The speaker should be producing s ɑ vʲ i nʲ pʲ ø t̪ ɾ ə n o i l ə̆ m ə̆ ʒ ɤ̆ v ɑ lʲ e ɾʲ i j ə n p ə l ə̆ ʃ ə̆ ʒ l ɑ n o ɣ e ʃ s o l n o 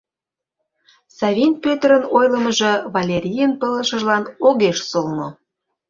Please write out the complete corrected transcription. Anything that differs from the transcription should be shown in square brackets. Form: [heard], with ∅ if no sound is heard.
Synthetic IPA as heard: s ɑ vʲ i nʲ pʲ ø t̪ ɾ ə n o [j] l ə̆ m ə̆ ʒ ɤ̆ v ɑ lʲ e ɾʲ i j ə n p ə l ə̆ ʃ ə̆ ʒ l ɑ n o ɣ e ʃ s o l n o